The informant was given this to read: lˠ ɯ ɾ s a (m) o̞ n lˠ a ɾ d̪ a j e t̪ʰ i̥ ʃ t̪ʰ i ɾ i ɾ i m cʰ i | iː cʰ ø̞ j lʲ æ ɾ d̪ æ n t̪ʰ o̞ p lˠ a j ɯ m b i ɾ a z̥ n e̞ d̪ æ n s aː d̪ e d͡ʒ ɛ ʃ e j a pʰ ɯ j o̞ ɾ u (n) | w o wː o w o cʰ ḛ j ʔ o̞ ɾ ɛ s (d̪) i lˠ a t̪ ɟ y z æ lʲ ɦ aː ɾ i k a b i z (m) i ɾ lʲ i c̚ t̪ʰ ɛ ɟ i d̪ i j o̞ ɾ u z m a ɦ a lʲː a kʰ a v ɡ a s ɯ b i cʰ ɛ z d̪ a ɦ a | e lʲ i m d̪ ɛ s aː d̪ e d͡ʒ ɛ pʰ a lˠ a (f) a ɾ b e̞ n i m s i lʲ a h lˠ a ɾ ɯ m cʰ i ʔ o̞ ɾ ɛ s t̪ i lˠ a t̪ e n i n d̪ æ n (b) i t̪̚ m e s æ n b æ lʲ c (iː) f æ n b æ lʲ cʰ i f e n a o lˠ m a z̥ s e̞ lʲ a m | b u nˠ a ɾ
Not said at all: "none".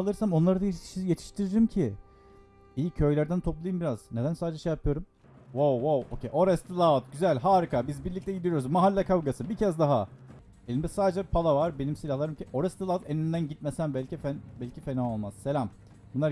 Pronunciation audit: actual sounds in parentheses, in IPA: m, m, t̪, b, v, ɟ, i

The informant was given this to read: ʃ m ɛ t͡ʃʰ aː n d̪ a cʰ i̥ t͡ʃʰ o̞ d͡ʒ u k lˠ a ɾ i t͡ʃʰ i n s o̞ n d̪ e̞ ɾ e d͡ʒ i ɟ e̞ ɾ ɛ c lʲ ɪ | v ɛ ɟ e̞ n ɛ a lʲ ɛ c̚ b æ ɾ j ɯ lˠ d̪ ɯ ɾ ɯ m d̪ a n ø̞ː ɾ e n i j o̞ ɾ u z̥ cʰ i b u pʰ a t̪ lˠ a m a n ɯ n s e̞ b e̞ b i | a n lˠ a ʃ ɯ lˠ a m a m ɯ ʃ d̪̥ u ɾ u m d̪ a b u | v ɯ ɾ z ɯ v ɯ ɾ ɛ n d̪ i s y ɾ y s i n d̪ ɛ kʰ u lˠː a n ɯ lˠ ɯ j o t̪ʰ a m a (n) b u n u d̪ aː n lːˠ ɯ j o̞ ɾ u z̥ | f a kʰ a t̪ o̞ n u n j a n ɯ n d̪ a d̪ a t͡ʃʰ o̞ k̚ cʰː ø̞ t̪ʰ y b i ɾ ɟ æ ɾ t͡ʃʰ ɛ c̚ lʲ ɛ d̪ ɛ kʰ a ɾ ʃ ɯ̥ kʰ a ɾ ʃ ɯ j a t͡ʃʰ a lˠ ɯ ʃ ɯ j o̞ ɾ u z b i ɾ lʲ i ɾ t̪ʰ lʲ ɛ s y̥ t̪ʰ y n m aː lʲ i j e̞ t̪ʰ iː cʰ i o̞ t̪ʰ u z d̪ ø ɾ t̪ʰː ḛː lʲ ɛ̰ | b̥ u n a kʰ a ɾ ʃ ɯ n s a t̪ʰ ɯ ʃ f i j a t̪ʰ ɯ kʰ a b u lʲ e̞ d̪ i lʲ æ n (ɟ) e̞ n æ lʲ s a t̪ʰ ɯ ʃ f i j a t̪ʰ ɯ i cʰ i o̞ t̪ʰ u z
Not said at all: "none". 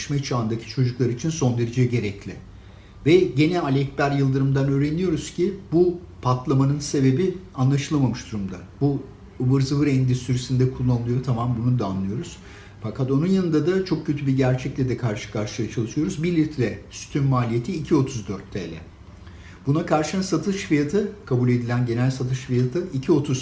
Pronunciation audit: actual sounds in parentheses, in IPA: m, ɟ

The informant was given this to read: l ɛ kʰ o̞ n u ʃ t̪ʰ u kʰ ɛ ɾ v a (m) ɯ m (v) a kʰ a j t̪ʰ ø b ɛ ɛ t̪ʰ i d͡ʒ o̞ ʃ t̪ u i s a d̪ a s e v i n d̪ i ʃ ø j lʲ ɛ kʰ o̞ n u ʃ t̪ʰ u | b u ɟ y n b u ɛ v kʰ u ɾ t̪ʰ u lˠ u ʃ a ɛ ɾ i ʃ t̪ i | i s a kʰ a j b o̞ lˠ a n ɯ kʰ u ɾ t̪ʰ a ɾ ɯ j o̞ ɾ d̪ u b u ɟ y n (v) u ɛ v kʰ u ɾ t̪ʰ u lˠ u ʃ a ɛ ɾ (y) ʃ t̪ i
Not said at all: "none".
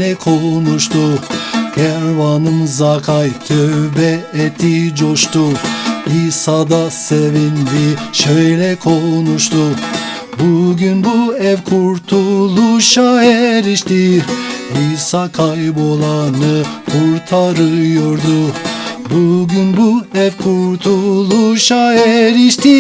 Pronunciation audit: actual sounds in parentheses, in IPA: n, z, b, i

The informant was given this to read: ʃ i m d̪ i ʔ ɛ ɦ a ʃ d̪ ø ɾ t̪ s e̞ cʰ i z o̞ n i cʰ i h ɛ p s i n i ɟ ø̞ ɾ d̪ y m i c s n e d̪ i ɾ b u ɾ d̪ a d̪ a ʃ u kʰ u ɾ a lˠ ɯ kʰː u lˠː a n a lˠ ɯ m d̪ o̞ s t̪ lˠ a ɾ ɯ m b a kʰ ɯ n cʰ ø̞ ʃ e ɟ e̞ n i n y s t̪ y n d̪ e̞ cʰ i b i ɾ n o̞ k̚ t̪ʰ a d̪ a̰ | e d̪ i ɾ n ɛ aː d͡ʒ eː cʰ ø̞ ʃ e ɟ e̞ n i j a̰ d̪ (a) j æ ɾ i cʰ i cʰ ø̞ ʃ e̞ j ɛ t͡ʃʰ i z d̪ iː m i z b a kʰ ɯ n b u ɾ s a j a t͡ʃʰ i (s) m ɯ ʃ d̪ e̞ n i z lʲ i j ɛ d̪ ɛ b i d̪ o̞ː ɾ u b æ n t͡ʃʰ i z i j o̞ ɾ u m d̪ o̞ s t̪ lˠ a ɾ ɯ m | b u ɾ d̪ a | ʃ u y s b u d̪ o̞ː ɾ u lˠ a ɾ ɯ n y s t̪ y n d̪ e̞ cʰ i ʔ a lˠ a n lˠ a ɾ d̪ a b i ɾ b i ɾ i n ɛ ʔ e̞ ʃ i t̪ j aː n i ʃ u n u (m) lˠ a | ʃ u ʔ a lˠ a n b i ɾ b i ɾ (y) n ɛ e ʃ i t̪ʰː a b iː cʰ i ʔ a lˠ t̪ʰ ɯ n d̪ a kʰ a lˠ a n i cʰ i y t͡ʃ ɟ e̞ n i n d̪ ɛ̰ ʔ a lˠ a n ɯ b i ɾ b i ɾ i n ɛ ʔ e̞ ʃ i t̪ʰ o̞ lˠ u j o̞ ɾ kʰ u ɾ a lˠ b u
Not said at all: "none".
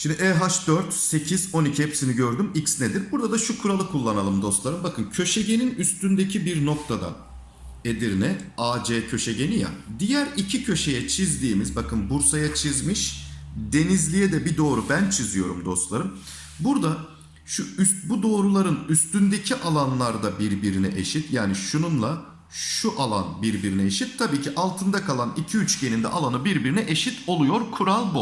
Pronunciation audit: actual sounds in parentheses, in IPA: i, z, n, i

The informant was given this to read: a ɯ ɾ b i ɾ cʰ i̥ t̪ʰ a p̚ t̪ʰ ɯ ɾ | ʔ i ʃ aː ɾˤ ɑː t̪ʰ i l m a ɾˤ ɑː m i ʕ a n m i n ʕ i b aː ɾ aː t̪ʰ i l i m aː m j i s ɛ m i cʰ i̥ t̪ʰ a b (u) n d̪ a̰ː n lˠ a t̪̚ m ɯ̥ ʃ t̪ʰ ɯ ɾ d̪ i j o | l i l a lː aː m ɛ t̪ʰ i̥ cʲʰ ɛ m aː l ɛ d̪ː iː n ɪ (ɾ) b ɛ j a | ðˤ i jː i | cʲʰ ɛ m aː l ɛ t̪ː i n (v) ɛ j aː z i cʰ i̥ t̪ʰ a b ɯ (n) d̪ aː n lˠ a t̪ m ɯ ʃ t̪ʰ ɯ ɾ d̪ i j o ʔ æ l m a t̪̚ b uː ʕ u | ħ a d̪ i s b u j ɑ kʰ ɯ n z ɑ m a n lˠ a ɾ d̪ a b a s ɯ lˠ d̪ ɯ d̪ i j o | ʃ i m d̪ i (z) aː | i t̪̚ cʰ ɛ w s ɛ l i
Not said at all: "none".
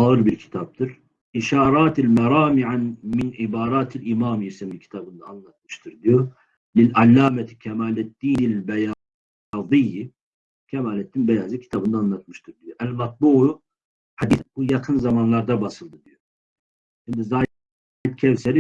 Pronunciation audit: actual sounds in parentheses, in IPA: ɯ, l, b, n, z

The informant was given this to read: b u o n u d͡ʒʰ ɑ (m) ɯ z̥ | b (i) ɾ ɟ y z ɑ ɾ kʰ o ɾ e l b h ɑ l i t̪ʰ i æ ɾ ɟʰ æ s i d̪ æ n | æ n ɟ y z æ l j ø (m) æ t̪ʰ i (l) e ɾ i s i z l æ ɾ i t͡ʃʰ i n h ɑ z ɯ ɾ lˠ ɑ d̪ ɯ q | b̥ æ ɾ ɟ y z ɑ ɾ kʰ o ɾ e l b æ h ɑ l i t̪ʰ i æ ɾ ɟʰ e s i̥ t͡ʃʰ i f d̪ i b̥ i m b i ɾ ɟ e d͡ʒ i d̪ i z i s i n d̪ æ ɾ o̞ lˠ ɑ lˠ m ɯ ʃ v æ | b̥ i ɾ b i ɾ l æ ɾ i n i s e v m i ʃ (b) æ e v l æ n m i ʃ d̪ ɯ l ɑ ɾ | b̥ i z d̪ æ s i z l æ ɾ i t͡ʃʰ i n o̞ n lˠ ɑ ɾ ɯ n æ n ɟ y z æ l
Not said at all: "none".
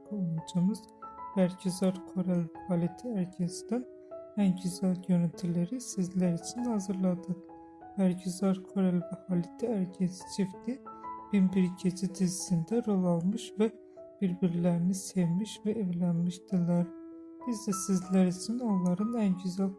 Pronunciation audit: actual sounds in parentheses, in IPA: m, æ, n, l, v

